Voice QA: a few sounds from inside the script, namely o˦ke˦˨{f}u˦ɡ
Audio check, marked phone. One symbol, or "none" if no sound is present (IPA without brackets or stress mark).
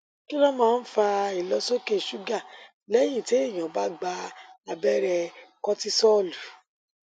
ʃ